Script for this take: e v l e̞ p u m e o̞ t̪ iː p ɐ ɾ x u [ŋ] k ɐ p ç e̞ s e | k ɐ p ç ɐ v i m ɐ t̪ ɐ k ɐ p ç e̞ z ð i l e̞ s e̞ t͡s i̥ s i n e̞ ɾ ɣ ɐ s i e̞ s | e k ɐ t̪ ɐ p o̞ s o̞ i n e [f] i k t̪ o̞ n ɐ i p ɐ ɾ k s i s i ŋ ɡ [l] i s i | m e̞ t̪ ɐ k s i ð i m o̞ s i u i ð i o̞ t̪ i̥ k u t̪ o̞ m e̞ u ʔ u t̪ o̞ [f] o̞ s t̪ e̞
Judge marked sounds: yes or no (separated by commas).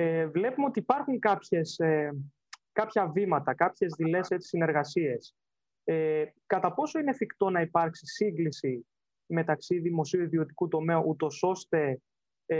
yes, yes, yes, no